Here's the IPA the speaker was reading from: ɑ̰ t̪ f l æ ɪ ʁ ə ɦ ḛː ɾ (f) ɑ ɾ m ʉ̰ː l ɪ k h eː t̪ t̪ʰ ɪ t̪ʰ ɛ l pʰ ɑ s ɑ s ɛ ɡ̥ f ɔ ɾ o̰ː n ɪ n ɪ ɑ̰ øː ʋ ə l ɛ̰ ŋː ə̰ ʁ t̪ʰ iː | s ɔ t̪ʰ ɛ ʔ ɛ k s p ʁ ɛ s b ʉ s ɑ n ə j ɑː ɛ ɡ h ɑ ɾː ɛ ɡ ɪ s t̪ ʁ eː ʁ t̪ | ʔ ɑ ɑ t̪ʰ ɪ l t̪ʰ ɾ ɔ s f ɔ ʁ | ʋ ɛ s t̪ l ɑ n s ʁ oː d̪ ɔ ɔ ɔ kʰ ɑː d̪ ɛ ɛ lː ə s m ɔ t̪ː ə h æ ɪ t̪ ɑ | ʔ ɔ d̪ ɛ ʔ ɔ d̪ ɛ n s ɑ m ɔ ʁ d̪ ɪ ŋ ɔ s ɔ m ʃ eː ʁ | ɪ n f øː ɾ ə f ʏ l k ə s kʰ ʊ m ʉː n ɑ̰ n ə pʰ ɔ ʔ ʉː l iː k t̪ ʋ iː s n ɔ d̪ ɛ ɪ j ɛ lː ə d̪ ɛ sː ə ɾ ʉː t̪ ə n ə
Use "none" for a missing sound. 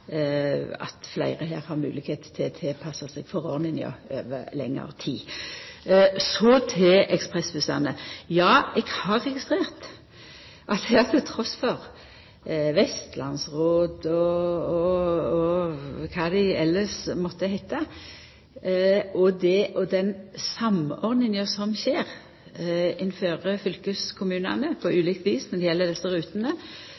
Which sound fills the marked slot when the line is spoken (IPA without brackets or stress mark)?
h